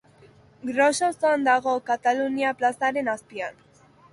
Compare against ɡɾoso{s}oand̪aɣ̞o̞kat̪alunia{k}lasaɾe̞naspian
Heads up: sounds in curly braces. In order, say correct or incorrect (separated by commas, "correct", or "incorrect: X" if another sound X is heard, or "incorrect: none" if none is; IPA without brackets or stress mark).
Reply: correct, incorrect: p